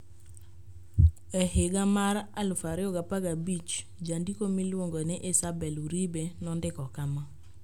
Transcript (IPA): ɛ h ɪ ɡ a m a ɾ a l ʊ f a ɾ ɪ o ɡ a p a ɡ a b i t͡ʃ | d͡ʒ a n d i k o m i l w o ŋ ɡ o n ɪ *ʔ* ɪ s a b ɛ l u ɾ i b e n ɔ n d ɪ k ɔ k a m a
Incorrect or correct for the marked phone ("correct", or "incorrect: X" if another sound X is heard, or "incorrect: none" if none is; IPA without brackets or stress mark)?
correct